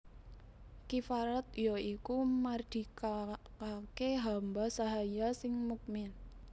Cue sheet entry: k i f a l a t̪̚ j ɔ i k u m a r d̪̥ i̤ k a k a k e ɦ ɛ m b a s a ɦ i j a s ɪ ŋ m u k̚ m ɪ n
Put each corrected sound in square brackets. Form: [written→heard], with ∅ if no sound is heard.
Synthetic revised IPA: k i f a [l→ɾ] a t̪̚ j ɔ i k u m a r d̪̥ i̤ k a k a k e ɦ [ɛ→a] m b a s a ɦ [i→a] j a s ɪ ŋ m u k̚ m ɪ n